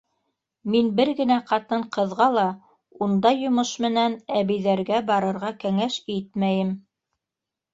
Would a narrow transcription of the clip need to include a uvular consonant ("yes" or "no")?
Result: yes